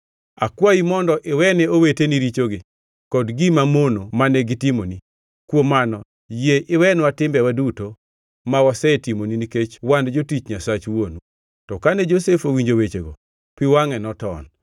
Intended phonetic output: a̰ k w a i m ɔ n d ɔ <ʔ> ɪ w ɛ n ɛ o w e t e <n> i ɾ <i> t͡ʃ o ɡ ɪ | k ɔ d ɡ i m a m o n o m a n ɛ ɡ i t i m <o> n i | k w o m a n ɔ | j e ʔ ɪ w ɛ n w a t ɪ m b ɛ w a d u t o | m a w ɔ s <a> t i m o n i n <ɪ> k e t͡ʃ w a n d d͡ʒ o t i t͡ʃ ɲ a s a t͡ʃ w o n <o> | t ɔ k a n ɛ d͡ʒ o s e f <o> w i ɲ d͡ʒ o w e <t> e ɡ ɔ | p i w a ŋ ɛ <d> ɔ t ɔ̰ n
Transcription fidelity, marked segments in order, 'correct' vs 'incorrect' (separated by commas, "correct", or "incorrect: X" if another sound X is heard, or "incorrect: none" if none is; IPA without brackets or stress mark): correct, correct, correct, correct, incorrect: ɛ, incorrect: i, incorrect: u, correct, incorrect: t͡ʃ, incorrect: n